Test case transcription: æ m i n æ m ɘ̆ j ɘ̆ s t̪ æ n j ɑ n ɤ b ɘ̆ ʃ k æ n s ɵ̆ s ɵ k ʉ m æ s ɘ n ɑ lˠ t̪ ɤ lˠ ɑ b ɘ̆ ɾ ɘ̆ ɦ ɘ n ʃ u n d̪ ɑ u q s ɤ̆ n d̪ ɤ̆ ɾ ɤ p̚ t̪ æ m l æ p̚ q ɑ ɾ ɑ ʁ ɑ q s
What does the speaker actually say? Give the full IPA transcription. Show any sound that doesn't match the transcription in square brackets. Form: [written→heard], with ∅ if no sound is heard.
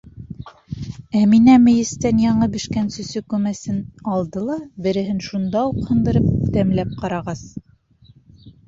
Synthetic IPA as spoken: æ m i n æ m ɘ̆ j ɘ̆ s t̪ æ n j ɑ [n→ɴ] ɤ b ɘ̆ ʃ k æ n s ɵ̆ s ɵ k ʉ m æ s ɘ n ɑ lˠ [t̪→d̪] ɤ lˠ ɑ b ɘ̆ ɾ ɘ̆ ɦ ɘ n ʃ u n d̪ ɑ u q [s→h] ɤ̆ n d̪ ɤ̆ ɾ ɤ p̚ t̪ æ m l æ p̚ q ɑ ɾ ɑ ʁ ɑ [q→∅] s

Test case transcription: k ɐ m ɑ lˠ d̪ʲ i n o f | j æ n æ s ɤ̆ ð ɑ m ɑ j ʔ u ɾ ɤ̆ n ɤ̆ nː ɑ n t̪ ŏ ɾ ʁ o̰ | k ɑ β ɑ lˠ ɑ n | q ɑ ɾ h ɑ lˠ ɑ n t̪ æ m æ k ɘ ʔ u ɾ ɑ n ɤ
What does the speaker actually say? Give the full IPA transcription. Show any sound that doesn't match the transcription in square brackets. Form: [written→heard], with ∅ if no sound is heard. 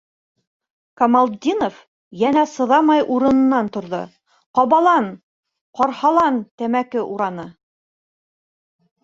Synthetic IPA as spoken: k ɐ m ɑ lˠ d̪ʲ i n o f | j æ n æ s ɤ̆ ð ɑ m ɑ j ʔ u ɾ ɤ̆ n ɤ̆ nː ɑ n t̪ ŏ ɾ [ʁ→ð] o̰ | [k→q] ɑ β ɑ lˠ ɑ n | q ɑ ɾ h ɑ lˠ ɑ n t̪ æ m æ k ɘ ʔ u ɾ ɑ n ɤ

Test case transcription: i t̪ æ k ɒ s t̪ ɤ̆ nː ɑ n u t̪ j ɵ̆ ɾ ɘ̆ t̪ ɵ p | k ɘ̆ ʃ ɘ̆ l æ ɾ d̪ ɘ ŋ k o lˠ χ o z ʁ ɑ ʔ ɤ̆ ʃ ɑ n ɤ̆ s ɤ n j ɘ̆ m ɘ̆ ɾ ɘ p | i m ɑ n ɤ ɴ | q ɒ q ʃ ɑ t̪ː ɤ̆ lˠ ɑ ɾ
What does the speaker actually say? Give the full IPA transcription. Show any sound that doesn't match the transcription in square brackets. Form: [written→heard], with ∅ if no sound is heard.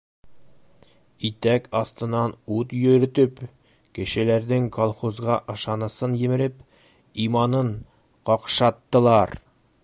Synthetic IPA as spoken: i t̪ æ k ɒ s t̪ ɤ̆ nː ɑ n u t̪ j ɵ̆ ɾ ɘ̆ t̪ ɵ p | k ɘ̆ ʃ ɘ̆ l æ ɾ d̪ ɘ ŋ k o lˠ χ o z ʁ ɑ ʔ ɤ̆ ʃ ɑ n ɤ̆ s ɤ n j ɘ̆ m ɘ̆ ɾ ɘ p | i m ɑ n ɤ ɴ | q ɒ q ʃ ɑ t̪ː ɤ̆ lˠ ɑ ɾ

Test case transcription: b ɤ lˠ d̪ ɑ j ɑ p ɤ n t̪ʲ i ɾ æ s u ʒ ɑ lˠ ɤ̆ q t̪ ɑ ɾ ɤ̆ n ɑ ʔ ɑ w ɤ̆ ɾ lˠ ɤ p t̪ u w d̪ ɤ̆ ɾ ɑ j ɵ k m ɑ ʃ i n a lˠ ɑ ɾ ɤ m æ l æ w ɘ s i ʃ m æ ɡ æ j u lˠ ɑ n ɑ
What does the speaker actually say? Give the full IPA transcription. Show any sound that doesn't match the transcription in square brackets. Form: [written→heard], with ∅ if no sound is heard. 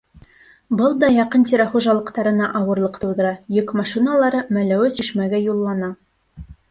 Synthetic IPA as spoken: b ɤ lˠ d̪ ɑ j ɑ [p→q] ɤ n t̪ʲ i ɾ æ [s→χ] u ʒ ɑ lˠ ɤ̆ q t̪ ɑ ɾ ɤ̆ n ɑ ʔ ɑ w ɤ̆ ɾ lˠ ɤ [p→q] t̪ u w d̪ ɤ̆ ɾ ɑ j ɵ k m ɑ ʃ i n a lˠ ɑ ɾ ɤ m æ l æ w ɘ s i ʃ m æ ɡ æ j u [lˠ→lˠː] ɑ n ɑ

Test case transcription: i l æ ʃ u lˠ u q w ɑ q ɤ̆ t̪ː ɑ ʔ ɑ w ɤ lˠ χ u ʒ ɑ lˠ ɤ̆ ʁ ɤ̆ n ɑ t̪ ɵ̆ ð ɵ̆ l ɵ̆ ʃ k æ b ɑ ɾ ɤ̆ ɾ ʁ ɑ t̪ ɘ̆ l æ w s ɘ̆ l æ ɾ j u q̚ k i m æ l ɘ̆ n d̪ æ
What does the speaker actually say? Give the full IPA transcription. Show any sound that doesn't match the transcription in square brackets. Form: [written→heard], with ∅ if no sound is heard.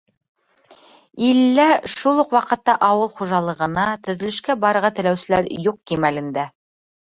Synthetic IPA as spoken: i [l→lː] æ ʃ u lˠ u q w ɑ q ɤ̆ t̪ː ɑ ʔ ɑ w ɤ lˠ χ u ʒ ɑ lˠ ɤ̆ ʁ ɤ̆ n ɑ t̪ ɵ̆ ð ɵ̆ l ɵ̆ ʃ k æ b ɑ ɾ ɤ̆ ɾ ʁ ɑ t̪ ɘ̆ l æ w s ɘ̆ l æ ɾ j u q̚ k i m æ l ɘ̆ n d̪ æ

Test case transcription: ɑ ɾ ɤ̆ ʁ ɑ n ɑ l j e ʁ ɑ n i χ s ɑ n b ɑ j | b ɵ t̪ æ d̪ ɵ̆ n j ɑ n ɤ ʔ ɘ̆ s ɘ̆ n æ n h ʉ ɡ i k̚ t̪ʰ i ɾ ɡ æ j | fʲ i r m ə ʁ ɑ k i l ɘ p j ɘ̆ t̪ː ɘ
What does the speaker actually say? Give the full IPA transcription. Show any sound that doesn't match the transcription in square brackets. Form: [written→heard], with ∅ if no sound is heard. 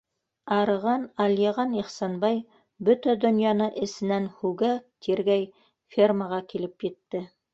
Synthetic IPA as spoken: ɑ ɾ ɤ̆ ʁ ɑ n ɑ l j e ʁ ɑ n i χ s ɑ n b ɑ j | b ɵ t̪ æ d̪ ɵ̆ n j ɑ n ɤ ʔ ɘ̆ s ɘ̆ n æ n h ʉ ɡ [i→æ] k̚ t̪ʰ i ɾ ɡ æ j | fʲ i r m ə ʁ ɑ k i l ɘ p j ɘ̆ t̪ː ɘ

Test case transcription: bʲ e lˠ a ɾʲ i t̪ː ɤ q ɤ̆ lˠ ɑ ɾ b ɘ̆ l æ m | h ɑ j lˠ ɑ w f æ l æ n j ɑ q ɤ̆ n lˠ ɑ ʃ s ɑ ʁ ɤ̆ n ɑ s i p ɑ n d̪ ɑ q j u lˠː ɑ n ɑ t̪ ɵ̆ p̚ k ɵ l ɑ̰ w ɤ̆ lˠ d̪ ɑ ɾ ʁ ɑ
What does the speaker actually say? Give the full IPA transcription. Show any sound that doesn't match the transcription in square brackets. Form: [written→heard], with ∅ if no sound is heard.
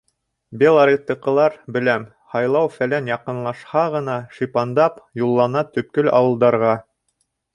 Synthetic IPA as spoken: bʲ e lˠ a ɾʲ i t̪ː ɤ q ɤ̆ lˠ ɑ ɾ b ɘ̆ l æ m | h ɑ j lˠ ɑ w f æ l æ n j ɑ q ɤ̆ n lˠ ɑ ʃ [s→h] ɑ ʁ ɤ̆ n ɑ [s→ʃ] i p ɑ n d̪ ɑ [q→p] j u lˠː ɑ n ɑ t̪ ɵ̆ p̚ k ɵ l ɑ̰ w ɤ̆ lˠ d̪ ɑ ɾ ʁ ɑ

